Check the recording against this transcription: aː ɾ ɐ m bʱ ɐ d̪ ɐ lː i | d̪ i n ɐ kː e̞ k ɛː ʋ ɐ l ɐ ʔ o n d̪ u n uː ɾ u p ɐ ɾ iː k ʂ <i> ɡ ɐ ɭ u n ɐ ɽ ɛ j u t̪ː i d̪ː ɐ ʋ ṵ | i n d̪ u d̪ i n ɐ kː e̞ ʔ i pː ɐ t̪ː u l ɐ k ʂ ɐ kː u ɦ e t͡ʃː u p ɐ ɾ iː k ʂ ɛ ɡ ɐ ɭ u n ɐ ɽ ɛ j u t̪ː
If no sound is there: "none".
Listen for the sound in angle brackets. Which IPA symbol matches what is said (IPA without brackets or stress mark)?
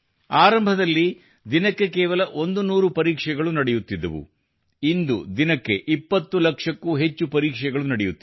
ɛ